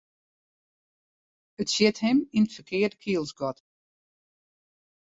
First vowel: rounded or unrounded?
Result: unrounded